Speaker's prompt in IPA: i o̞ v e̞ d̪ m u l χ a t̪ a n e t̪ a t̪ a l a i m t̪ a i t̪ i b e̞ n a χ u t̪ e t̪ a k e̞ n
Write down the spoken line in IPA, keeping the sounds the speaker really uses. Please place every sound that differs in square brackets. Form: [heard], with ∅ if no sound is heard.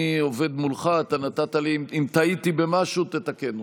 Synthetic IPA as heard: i o̞ v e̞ d̪ m u l χ a t̪ a n [a] t̪ a t̪ a l [i] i m t̪ a i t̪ i b e̞ [m] a [ʃ] u t̪ e t̪ a k e̞ n